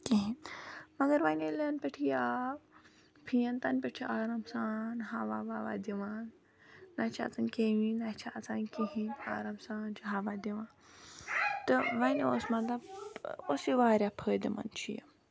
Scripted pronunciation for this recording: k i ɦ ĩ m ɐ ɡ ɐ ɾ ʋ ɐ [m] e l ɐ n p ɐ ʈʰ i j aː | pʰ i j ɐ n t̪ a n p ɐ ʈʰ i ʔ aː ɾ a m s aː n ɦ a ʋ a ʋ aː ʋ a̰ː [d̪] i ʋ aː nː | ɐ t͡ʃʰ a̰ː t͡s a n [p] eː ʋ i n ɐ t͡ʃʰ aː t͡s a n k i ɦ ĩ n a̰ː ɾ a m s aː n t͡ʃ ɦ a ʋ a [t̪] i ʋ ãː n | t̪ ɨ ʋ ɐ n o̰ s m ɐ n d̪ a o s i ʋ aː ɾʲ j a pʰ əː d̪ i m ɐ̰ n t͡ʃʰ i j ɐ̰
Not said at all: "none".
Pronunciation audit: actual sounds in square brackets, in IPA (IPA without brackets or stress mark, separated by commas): n, d̪, k, d̪